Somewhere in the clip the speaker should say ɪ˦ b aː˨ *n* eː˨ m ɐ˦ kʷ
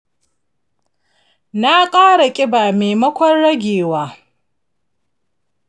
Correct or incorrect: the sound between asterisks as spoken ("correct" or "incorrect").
incorrect